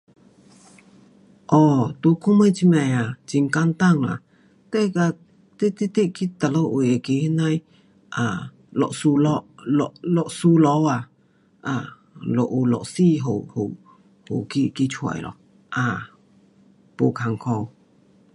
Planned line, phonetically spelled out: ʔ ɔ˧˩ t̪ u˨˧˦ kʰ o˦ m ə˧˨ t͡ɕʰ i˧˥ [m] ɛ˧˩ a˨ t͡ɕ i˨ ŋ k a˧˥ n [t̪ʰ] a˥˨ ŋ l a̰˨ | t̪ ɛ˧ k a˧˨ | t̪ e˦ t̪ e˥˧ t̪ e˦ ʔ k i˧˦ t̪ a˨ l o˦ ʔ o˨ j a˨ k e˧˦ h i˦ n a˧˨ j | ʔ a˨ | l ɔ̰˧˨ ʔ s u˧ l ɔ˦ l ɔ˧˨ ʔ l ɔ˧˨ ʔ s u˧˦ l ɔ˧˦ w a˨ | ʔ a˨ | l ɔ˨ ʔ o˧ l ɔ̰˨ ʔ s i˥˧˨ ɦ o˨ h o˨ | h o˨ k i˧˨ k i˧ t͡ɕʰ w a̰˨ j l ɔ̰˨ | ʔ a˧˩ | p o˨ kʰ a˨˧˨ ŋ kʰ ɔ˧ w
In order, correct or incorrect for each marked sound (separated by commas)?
correct, incorrect